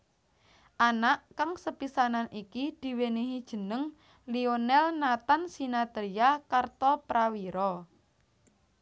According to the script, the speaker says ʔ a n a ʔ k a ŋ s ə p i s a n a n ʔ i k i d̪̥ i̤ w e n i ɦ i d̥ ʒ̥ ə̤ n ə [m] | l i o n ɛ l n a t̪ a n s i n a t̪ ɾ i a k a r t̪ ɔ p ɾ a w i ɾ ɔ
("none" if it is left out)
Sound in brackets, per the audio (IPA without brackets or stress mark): ŋ